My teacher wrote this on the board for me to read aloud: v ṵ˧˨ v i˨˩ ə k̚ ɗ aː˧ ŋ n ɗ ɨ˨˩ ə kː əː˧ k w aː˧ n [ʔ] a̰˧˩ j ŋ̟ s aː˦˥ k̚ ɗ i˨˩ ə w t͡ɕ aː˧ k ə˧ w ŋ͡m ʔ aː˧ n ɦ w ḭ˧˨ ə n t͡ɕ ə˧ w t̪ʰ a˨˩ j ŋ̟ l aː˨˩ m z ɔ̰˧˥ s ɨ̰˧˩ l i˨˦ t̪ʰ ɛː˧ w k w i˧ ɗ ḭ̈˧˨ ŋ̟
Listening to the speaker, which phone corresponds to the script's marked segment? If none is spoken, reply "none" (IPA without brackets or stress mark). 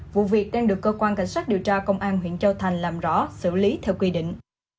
k